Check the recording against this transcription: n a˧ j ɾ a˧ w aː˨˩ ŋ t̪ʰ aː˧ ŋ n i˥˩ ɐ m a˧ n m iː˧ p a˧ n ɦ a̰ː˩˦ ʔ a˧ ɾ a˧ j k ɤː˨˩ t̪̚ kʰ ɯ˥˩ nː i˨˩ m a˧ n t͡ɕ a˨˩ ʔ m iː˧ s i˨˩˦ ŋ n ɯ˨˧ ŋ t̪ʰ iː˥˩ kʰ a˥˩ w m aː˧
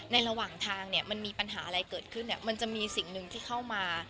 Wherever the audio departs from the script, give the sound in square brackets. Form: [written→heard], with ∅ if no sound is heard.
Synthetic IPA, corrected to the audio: n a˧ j ɾ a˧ w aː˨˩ ŋ t̪ʰ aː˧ ŋ n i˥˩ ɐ m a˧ n m iː˧ p a˧ n ɦ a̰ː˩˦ ʔ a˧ ɾ a˧ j k ɤː˨˩ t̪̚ kʰ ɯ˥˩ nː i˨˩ m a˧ n t͡ɕ a˨˩ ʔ m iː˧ s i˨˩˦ ŋ n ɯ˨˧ ŋ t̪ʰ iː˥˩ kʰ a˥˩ w m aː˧

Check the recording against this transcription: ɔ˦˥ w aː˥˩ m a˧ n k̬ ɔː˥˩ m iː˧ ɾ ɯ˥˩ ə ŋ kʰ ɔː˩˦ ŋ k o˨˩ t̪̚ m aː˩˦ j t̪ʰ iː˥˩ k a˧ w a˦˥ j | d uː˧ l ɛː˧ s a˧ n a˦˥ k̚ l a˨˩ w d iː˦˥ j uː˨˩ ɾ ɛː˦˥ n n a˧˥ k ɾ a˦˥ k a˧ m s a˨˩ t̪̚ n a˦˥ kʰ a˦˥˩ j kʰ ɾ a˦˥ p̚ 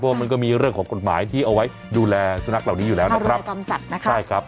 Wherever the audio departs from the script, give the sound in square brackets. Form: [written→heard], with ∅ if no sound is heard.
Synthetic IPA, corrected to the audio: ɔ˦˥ w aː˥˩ m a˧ n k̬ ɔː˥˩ m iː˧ ɾ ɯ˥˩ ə ŋ kʰ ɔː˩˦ ŋ k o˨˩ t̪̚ m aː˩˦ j t̪ʰ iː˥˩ [k→ʔ] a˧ w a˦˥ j | d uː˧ l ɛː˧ s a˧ n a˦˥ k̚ l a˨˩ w [d→n] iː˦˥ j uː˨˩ [ɾ→l] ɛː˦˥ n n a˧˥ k ɾ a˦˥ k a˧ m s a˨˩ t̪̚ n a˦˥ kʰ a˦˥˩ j kʰ ɾ a˦˥ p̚

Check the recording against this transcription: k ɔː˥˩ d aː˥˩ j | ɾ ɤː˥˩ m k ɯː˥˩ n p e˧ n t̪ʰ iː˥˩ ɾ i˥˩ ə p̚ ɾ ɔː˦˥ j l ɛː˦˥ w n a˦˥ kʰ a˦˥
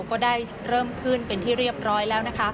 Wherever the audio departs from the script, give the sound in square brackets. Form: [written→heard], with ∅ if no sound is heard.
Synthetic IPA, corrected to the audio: k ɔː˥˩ d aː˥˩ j | ɾ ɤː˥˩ m [k→kʰ] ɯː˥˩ n p e˧ n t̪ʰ iː˥˩ ɾ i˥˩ ə p̚ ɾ ɔː˦˥ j l ɛː˦˥ w n a˦˥ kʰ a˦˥

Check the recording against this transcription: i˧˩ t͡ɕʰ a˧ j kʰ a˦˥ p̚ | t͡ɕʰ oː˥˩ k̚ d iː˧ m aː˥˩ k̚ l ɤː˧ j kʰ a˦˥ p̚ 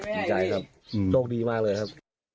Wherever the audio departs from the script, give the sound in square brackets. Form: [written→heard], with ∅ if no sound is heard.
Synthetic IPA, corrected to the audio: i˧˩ [t͡ɕʰ→t͡ɕ] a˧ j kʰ a˦˥ p̚ | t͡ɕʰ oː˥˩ k̚ d iː˧ m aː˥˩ k̚ l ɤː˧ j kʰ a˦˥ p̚

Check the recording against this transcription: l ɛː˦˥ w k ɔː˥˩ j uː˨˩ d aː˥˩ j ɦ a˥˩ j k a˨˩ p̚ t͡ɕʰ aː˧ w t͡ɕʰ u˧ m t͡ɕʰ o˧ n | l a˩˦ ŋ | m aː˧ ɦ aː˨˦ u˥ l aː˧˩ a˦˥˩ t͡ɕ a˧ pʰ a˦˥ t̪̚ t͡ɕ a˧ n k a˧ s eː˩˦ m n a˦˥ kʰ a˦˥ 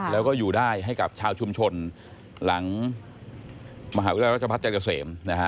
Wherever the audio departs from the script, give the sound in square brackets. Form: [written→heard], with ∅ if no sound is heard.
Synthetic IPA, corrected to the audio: l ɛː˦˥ w k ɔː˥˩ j uː˨˩ d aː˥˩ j ɦ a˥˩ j k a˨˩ p̚ t͡ɕʰ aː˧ w t͡ɕʰ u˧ m t͡ɕʰ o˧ n | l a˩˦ ŋ | m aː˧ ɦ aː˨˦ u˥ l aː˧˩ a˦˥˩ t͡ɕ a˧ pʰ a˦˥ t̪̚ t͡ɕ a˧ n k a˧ s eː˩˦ m n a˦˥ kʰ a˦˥

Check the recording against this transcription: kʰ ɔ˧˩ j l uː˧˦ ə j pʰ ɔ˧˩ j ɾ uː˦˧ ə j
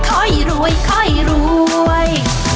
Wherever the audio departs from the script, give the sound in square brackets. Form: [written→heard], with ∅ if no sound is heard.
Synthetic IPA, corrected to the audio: kʰ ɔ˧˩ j [l→ɾ] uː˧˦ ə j [pʰ→kʰ] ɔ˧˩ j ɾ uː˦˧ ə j

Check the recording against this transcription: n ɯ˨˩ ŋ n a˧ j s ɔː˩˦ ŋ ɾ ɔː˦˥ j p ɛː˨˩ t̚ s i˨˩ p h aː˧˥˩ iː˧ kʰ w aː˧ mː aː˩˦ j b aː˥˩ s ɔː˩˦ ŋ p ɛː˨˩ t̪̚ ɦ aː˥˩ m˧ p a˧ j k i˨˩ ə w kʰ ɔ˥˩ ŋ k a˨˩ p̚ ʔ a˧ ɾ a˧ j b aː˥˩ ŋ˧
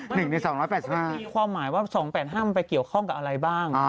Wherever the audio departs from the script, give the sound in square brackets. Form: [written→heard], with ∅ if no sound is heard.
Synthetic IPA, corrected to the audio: n ɯ˨˩ ŋ n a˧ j s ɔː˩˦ ŋ ɾ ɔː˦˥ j p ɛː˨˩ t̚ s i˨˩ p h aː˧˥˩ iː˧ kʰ w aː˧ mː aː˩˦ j [b→w] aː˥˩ s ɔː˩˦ ŋ p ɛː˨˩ t̪̚ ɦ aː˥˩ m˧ p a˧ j k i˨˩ ə w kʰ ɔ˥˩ ŋ k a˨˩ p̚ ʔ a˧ ɾ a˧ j b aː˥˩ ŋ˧

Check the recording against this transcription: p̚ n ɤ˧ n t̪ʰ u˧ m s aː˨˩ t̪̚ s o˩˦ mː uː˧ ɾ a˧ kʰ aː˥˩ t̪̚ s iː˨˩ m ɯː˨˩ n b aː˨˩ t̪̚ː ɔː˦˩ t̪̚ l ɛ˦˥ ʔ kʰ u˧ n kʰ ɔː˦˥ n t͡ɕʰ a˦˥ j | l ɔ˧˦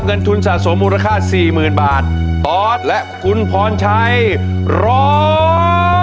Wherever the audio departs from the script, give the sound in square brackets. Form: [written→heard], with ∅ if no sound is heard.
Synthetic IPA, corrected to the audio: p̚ [n→ŋ] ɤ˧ n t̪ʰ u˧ [m→n] s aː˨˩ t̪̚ s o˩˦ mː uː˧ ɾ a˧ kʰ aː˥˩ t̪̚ s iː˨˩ m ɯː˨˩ n b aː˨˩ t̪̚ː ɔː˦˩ t̪̚ l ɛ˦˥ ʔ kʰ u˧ n [kʰ→pʰ] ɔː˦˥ n t͡ɕʰ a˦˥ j | [l→ɾ] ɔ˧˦

